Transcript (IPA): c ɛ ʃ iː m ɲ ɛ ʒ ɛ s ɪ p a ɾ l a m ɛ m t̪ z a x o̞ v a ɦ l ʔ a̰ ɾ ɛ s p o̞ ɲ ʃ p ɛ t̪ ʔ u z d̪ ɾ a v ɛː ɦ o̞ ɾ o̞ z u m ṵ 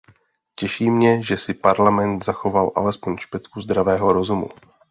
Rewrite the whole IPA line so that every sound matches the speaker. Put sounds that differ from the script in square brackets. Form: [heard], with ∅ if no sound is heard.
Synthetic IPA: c ɛ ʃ iː m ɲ ɛ ʒ ɛ s ɪ p a ɾ l a m ɛ [n] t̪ z a x o̞ v a [∅] l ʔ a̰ [l] ɛ s p o̞ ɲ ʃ p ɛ t̪ [k] u z d̪ ɾ a v ɛː ɦ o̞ ɾ o̞ z u m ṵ